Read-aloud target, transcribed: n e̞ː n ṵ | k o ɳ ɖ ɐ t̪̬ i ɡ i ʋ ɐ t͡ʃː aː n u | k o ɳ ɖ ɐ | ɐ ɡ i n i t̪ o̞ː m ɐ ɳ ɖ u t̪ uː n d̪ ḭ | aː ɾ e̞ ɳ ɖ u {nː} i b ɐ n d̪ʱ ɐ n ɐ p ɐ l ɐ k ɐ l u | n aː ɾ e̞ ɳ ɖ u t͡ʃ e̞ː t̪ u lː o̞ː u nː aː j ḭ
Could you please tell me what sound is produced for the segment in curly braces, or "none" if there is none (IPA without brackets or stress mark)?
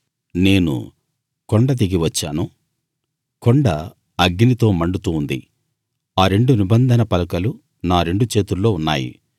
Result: n